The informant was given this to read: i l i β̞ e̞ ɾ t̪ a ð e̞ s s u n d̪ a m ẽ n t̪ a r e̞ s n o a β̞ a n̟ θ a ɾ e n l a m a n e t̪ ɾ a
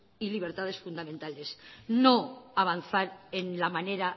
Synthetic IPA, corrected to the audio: i l i β̞ e̞ ɾ t̪ a ð e̞ s f u n d̪ a m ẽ n t̪ a l e̞ s n o a β̞ a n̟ θ a ɾ e n l a m a n e ɾ a